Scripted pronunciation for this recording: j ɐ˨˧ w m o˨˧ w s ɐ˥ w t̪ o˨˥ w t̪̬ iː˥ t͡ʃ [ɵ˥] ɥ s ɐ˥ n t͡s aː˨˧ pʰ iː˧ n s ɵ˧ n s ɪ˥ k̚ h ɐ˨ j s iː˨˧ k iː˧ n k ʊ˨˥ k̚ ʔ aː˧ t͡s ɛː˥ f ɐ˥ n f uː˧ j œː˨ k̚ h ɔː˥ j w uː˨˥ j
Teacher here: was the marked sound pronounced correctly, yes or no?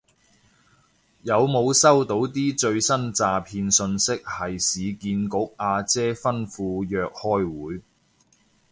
no